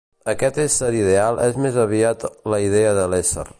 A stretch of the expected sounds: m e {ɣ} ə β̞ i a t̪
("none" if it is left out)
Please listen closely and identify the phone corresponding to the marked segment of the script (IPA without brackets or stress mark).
z